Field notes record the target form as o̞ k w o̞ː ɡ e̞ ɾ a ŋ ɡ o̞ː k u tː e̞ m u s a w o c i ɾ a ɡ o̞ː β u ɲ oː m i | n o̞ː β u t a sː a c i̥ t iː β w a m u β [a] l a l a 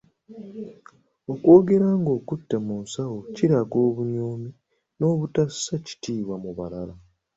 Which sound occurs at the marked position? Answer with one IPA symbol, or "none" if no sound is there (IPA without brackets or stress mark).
a